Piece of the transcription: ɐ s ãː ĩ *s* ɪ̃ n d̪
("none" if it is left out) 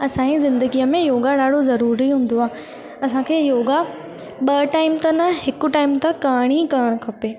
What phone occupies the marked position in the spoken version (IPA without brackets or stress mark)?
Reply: z